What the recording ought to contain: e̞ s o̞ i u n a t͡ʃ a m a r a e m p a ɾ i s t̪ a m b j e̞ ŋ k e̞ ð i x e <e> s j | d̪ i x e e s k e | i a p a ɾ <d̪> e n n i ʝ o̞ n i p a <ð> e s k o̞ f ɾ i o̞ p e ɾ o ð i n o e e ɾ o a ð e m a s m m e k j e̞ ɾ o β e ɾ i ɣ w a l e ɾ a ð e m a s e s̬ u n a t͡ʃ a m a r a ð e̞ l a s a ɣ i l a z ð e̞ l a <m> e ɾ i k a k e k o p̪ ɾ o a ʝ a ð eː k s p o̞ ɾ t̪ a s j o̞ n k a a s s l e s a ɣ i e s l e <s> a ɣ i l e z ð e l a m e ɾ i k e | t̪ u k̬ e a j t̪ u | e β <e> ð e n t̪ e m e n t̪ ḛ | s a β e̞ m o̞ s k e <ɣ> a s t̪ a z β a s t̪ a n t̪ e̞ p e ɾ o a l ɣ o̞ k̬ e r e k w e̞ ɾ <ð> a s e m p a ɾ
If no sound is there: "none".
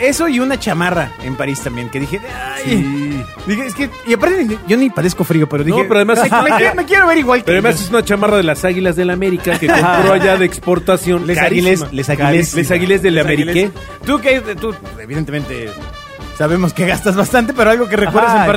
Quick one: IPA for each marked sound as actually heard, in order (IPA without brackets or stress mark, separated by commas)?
a, t̪, ð, m, s, i, ɣ, ð